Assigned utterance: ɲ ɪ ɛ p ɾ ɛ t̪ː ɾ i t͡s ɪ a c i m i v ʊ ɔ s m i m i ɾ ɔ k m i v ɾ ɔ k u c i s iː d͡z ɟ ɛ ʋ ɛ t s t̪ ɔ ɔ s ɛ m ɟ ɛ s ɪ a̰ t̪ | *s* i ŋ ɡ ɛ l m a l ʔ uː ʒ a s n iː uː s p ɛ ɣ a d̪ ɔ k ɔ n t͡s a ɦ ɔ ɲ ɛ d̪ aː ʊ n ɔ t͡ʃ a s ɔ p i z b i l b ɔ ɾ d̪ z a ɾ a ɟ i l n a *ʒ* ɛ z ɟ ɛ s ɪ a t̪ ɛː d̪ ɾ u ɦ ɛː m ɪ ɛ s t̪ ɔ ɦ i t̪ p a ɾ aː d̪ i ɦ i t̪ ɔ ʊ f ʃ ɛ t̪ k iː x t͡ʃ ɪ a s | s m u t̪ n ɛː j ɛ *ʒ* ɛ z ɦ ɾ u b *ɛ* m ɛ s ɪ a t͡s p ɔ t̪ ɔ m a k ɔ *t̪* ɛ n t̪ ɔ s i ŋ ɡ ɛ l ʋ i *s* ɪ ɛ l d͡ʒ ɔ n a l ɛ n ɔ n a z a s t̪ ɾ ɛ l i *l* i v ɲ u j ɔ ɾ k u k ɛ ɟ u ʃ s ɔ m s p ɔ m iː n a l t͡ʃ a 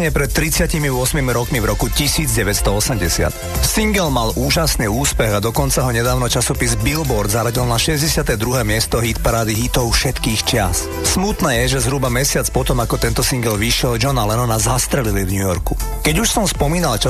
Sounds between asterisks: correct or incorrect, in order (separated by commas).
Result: correct, incorrect, correct, incorrect, correct, incorrect, correct